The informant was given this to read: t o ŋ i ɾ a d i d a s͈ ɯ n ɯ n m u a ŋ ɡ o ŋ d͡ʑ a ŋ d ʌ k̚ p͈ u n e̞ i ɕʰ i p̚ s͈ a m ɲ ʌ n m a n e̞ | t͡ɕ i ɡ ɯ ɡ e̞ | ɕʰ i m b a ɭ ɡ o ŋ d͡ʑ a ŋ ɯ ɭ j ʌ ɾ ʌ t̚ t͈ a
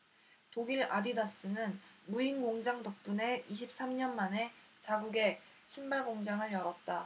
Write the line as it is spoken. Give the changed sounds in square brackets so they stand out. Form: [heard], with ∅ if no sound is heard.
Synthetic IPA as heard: t o [ɡ] i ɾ a d i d a s͈ ɯ n ɯ n m u [i] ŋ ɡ o ŋ d͡ʑ a ŋ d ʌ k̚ p͈ u n e̞ i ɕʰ i p̚ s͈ a m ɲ ʌ n m a n e̞ | t͡ɕ [a] ɡ [u] ɡ e̞ | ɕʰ i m b a ɭ ɡ o ŋ d͡ʑ a ŋ ɯ ɭ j ʌ ɾ ʌ t̚ t͈ a